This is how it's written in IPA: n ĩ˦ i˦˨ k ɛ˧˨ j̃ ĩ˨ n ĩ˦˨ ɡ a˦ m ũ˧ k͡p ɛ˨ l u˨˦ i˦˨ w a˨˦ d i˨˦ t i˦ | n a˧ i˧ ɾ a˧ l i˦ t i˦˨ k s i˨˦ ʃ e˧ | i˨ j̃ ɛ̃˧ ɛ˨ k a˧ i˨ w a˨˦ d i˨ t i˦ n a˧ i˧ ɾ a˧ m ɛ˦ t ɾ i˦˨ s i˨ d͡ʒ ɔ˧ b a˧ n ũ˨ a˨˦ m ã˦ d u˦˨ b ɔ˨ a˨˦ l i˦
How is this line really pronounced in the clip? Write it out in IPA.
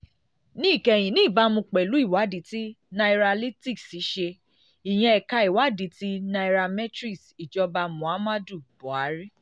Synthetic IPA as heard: n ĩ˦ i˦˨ k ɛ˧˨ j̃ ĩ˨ n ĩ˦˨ b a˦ m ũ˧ k͡p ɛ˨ l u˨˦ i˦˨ w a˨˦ d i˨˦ t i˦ | n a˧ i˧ ɾ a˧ l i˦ t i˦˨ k s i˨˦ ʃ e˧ | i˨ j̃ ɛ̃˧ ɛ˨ k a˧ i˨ w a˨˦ d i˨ t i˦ n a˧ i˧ ɾ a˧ m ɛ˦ t ɾ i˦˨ s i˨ d͡ʒ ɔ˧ b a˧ m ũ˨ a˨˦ m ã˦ d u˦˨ b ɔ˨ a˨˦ ɾ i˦